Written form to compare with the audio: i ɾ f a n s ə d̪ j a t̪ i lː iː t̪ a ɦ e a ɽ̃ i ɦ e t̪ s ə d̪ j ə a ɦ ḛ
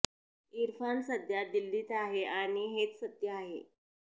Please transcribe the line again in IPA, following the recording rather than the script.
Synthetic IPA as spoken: i ɾ f a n s ə d̪ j a d̪ i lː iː t̪ a ɦ e a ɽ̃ i ɦ e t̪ s ə t̪ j ə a ɦ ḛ